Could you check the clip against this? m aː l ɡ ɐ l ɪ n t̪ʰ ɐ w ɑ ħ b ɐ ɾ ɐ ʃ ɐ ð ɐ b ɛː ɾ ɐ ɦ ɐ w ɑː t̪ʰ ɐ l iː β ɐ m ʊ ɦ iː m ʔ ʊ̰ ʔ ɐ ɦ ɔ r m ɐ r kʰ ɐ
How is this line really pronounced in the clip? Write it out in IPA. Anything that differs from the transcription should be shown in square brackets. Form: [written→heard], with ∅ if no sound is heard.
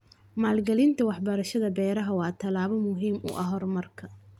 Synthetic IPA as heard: m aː l ɡ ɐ l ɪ n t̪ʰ ɐ w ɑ ħ b ɐ ɾ ɐ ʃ ɐ ð ɐ b ɛː ɾ ɐ ɦ ɐ w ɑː t̪ʰ ɐ l [iː→aː] β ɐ m ʊ ɦ iː m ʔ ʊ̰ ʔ ɐ ɦ ɔ r m ɐ r kʰ ɐ